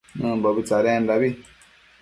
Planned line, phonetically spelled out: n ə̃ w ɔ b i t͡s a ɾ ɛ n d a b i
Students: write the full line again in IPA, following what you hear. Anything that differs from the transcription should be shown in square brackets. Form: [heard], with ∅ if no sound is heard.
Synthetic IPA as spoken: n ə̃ [b] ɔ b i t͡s a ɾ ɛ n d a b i